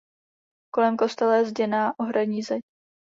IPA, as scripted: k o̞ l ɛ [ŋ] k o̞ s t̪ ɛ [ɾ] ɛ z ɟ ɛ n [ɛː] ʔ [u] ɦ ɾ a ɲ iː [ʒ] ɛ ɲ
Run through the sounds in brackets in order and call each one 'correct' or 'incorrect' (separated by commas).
incorrect, incorrect, incorrect, incorrect, incorrect